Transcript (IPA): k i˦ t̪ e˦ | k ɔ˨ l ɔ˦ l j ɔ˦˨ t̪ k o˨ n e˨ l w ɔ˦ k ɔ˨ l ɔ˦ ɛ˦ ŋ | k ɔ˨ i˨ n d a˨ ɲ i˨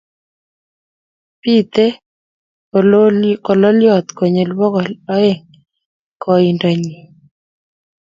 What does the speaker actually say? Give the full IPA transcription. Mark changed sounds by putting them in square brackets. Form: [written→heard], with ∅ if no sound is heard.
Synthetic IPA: [k→p] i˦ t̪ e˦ | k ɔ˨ l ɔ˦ l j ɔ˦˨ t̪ k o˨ [n→ɲ] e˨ l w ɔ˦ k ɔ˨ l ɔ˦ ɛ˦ ŋ | k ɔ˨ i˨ n d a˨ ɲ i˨

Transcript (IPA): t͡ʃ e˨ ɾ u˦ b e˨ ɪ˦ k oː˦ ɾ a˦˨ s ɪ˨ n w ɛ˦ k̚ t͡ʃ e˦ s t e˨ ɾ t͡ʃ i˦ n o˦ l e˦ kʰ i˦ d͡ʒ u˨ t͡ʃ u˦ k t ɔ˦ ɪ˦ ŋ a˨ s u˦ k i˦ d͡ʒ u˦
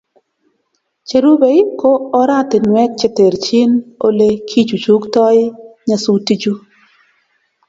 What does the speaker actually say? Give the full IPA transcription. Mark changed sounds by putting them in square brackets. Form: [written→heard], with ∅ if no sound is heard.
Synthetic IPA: t͡ʃ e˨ ɾ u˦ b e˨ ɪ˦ k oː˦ ɾ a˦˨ [s→t] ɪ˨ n w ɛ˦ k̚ t͡ʃ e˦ [s→∅] t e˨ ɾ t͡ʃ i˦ n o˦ l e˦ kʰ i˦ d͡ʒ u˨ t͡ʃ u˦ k t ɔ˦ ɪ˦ [ŋ→ɲ] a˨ s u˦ [k→t] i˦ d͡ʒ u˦

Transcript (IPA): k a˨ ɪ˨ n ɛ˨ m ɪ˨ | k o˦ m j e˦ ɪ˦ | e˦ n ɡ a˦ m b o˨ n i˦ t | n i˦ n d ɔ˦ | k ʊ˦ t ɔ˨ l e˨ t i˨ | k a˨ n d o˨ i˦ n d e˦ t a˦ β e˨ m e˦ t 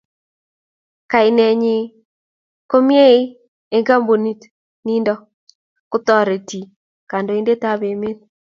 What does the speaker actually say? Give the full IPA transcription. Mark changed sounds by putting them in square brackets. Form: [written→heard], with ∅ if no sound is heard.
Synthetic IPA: k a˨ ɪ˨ n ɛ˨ [m→ɲ] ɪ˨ | k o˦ m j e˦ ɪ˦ | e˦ [n→ŋ] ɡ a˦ m b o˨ n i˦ t | n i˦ n d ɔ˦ | k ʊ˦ t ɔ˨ [l→ɾ] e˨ t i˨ | k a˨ n d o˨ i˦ n d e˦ t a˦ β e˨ m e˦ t

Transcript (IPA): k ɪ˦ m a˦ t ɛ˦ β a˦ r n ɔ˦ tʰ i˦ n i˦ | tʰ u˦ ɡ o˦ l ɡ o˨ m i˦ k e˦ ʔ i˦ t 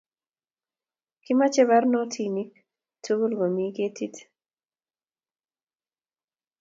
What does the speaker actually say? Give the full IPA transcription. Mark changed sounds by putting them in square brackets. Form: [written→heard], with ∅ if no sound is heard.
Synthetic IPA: k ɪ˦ m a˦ [t→t͡ʃ] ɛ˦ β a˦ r n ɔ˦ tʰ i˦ n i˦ | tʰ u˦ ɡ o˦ l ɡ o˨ m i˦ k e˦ [ʔ→t] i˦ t

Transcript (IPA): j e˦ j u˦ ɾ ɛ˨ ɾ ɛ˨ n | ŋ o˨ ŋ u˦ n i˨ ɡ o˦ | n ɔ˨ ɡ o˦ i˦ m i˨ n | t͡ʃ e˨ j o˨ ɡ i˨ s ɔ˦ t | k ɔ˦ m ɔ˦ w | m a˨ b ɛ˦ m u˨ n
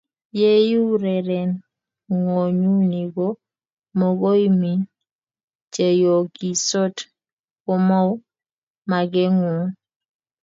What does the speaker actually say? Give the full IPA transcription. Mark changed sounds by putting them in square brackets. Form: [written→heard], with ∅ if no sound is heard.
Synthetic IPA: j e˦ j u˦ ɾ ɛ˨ ɾ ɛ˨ n | ŋ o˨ [ŋ→ɲ] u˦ n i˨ ɡ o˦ | [n→m] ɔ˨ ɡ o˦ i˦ m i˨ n | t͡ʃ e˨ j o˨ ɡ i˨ s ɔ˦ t | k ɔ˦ m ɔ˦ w | m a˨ [b→ɡ] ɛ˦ [m→ŋ] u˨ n

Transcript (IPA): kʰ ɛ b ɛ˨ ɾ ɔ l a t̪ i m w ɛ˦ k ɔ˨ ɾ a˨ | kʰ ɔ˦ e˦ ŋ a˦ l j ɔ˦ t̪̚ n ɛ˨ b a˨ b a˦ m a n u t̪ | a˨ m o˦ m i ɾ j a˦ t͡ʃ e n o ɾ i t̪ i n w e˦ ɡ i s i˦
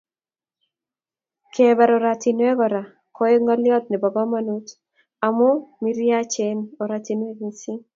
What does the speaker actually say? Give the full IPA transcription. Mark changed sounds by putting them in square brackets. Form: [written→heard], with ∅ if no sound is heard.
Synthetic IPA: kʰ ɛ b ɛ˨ ɾ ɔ [l→ɾ] a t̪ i [m→n] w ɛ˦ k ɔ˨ ɾ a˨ | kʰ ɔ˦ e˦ ŋ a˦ l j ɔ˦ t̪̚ n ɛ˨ b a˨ b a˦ m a n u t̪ | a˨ m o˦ m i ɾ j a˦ t͡ʃ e n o ɾ [i→a] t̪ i n w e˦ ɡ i s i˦

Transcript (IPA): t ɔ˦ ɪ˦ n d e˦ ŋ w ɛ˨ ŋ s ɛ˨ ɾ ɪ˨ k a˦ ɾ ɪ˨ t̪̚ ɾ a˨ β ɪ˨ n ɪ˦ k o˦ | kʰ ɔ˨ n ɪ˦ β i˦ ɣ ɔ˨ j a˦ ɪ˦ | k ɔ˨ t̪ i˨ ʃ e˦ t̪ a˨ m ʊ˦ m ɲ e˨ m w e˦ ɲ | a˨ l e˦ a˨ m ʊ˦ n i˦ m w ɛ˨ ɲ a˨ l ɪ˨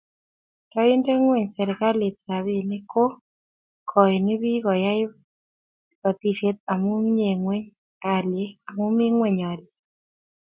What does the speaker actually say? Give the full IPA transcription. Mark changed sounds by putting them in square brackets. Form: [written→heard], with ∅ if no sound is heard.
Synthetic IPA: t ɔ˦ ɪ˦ n d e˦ ŋ w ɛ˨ [ŋ→ɲ] s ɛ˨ ɾ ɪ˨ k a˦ [ɾ→l] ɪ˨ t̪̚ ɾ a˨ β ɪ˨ n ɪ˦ k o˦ | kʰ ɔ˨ n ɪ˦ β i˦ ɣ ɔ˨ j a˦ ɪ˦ | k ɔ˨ t̪ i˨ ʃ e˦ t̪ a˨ m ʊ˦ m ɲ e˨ [m→ŋ] w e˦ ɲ | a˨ l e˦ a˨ m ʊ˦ [n→m] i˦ [m→ŋ] w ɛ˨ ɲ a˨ l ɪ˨

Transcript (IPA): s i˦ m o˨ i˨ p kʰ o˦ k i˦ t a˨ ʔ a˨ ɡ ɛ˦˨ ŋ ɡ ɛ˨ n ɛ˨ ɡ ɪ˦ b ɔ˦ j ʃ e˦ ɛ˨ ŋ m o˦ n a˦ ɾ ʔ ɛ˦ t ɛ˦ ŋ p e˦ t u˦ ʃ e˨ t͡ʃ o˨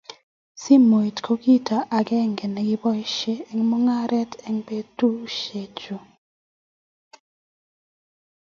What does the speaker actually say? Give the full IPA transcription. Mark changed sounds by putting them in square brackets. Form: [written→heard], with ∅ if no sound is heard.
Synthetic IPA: s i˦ m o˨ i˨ [p→t] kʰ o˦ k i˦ t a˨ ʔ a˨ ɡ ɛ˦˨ ŋ ɡ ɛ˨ n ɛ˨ ɡ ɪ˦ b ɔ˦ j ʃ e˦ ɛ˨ ŋ m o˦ [n→ŋ] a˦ ɾ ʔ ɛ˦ t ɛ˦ ŋ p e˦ t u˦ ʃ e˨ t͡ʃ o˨

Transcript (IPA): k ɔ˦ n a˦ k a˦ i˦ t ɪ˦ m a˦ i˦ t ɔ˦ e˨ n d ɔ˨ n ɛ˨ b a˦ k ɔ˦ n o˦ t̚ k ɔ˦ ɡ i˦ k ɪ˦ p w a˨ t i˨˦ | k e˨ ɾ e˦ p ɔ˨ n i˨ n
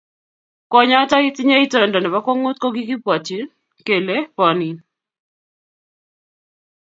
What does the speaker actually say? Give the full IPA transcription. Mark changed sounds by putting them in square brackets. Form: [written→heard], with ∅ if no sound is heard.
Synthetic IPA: k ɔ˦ [n→ɲ] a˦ [k→t] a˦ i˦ t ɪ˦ [m→ɲ] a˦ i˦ t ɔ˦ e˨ n d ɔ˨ n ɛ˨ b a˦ k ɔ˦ [n→ŋ] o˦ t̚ k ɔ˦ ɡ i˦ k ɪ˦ p w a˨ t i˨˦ | k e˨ [ɾ→l] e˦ p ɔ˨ n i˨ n

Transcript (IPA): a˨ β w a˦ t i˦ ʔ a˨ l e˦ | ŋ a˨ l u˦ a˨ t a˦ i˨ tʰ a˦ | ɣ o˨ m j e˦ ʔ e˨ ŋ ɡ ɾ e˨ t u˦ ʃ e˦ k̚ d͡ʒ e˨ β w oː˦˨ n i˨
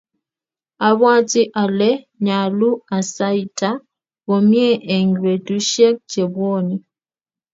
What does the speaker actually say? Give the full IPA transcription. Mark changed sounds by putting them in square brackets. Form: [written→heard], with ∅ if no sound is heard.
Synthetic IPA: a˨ β w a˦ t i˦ ʔ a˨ l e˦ | [ŋ→ɲ] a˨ l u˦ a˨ [t→s] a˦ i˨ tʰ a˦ | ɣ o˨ m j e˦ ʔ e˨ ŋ ɡ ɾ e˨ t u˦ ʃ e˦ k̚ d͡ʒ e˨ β w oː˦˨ n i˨

